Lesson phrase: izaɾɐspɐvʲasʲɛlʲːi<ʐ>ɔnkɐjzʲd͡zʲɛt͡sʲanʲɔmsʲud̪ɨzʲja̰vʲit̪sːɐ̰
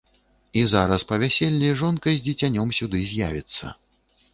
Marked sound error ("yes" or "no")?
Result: no